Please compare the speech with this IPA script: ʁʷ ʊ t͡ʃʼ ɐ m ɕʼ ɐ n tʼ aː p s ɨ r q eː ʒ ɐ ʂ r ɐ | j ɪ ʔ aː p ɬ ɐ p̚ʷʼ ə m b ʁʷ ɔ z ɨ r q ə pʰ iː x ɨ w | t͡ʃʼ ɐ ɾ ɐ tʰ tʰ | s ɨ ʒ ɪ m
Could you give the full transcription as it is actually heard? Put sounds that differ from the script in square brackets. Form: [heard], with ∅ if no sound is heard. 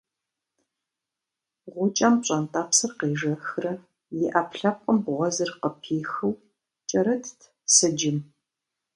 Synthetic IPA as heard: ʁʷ ʊ t͡ʃʼ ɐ m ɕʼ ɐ n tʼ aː p s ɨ r q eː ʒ ɐ [x] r ɐ | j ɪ ʔ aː p ɬ ɐ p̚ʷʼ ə m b ʁʷ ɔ z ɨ r q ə pʰ iː x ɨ w | t͡ʃʼ ɐ ɾ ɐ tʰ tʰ | s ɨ [d͡ʒ] ɪ m